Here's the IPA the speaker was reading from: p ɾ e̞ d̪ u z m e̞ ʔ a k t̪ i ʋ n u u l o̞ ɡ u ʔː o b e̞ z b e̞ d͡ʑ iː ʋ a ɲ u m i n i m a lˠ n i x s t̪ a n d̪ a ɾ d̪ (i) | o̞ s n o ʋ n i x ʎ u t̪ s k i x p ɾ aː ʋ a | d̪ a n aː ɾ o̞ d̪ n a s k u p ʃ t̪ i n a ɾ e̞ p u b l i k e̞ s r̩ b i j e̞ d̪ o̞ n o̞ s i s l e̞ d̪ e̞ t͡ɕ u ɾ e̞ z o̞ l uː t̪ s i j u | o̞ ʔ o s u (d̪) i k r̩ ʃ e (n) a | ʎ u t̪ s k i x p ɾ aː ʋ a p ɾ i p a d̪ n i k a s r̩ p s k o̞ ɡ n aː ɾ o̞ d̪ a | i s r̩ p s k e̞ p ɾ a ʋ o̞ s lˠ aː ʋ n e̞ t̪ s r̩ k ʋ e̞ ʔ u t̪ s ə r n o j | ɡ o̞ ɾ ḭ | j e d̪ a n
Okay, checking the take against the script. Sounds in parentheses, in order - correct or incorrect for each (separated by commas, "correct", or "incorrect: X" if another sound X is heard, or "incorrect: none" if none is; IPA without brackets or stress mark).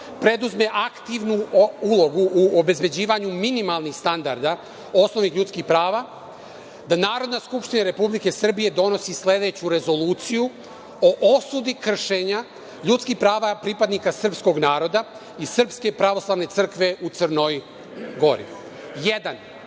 incorrect: a, correct, incorrect: ɲ